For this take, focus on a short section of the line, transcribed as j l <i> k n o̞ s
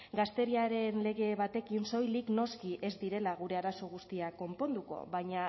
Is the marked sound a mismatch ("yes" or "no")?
no